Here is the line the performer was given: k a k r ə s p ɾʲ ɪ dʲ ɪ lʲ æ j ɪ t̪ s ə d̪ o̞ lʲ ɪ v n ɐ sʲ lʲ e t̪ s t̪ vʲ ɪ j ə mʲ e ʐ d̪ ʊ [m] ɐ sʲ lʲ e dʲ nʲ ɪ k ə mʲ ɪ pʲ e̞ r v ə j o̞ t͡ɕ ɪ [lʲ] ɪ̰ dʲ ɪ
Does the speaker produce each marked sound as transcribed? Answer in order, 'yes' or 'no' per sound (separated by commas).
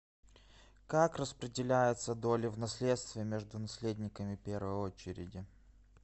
no, no